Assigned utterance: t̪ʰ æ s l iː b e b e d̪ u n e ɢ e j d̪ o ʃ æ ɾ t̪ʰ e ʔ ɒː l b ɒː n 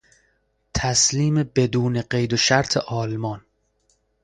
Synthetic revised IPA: t̪ʰ æ s l iː m e b e d̪ uː n e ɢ e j d̪ o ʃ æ ɾ t̪ʰ e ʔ ɒː l m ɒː n